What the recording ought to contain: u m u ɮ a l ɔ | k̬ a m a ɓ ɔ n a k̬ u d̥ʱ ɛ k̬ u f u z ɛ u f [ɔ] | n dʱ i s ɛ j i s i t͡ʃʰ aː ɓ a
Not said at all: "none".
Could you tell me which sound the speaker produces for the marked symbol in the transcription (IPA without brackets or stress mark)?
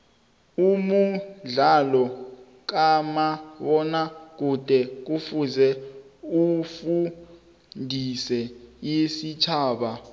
u